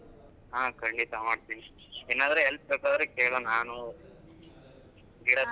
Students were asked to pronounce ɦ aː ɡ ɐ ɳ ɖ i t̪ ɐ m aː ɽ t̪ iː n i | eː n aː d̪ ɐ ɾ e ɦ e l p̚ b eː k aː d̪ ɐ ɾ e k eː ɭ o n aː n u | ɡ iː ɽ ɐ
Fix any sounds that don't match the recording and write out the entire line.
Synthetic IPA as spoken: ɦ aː k ɐ ɳ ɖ i t̪ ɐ m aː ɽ t̪ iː n i | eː n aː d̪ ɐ ɾ e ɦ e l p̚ b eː k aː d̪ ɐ ɾ e k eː ɭ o n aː n u | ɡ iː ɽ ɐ